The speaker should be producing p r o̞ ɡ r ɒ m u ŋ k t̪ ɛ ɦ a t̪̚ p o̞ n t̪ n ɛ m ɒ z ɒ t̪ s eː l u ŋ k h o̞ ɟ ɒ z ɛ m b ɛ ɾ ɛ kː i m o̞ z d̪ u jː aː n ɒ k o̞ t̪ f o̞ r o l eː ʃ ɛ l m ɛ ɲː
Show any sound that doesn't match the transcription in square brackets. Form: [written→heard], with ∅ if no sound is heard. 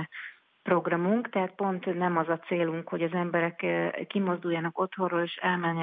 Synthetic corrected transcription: p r o̞ ɡ r ɒ m u ŋ k t̪ ɛ ɦ a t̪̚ p o̞ n t̪ n ɛ m ɒ z ɒ t̪ s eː l u ŋ k h o̞ ɟ ɒ z ɛ m b ɛ ɾ ɛ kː i m o̞ z d̪ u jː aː n ɒ k o̞ t̪ [f→h] o̞ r o l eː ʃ ɛ l m ɛ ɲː